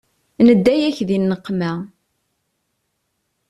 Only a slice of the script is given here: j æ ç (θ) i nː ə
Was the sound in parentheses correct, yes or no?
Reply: no